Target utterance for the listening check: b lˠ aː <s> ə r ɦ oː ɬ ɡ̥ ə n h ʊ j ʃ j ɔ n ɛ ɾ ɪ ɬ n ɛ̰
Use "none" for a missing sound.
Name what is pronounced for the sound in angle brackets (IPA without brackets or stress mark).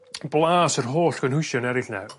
s